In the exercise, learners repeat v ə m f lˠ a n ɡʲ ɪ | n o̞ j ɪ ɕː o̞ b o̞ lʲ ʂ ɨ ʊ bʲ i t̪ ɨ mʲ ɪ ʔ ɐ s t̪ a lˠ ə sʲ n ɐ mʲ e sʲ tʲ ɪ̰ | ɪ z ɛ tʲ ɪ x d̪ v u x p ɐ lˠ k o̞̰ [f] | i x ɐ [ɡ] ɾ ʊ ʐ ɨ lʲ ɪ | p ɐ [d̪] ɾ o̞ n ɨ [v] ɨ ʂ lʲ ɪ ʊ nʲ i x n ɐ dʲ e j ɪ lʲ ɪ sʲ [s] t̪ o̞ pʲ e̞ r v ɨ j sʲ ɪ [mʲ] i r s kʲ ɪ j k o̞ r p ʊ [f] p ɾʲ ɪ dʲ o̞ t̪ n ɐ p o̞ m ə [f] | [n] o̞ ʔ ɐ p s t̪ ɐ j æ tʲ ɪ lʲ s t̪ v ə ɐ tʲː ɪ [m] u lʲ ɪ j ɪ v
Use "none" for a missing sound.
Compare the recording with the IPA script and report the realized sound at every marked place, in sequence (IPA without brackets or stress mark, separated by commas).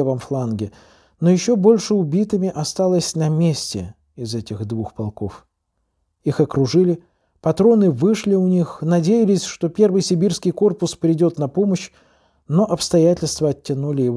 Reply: f, k, t̪, v, ʂ, bʲ, s, ɕ, n, n